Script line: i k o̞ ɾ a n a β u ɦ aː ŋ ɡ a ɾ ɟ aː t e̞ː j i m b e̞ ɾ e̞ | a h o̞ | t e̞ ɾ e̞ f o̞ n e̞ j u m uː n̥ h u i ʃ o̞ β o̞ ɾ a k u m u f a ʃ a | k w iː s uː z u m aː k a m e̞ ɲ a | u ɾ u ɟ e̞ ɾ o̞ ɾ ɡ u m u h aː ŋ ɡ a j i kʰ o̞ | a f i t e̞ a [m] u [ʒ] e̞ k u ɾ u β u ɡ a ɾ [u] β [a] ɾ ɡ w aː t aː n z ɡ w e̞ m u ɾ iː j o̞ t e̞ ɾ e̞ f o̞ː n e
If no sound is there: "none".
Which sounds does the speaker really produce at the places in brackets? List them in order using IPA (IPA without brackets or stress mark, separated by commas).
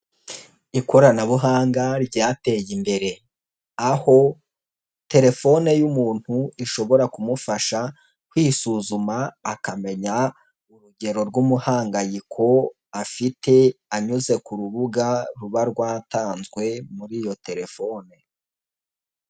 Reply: ɲ, z, u, a